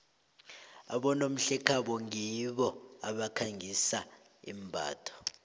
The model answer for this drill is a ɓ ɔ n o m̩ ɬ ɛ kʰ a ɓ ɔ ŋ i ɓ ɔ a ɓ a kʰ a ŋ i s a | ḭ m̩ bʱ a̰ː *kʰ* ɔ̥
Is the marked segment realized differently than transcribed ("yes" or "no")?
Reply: yes